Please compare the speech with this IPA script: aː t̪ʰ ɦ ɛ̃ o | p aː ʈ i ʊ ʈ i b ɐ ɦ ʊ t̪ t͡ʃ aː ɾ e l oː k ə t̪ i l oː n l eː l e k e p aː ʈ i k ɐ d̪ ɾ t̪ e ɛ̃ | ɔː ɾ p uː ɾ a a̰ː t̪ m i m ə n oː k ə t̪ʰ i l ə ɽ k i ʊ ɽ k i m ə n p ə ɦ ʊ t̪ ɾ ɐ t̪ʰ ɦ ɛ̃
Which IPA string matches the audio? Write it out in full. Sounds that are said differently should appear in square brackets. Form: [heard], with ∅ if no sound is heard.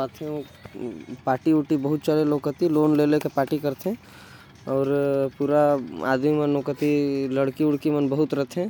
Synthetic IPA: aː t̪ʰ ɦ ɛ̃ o | p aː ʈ i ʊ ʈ i b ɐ ɦ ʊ t̪ t͡ʃ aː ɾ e l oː k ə t̪ i l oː n l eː l e k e p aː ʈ i k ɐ [∅] ɾ t̪ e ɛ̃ | ɔː ɾ p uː ɾ a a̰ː [d̪] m i m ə n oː k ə [t̪] i l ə ɽ k i ʊ ɽ k i m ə n [b] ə ɦ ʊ t̪ ɾ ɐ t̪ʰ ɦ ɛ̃